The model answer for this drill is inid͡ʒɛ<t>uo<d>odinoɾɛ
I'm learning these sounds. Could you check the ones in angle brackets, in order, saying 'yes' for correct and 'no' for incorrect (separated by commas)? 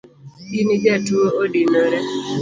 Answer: yes, no